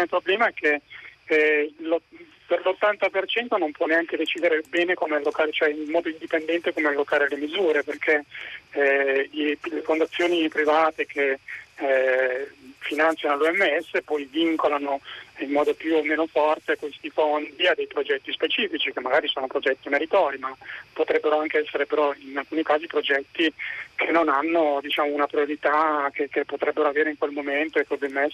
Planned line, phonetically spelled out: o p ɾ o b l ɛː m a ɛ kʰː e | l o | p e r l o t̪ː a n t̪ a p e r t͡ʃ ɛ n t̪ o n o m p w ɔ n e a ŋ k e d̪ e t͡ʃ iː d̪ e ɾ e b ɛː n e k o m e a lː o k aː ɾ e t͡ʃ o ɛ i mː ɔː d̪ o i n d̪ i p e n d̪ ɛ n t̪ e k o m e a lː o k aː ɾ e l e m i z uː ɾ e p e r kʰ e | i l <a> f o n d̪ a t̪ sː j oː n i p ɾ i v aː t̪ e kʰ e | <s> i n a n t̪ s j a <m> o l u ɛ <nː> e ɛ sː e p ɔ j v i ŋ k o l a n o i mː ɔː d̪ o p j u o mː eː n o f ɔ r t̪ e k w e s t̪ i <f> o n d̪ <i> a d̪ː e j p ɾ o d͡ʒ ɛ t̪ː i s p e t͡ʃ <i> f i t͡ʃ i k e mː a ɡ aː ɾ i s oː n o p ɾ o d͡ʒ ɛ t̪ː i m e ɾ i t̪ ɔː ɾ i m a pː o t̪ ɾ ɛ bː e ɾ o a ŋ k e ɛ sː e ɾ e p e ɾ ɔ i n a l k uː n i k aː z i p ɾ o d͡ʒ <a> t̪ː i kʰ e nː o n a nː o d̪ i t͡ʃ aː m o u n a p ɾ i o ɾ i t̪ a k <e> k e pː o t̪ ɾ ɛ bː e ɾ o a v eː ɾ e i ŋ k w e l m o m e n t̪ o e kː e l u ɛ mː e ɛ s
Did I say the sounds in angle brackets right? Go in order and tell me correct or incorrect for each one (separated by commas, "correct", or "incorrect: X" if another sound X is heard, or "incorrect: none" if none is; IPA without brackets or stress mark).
incorrect: e, incorrect: f, incorrect: n, incorrect: mː, correct, correct, incorrect: iː, incorrect: ɛ, correct